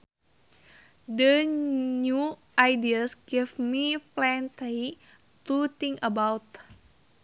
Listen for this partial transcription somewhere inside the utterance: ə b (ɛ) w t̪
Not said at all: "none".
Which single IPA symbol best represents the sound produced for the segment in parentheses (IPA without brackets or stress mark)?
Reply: a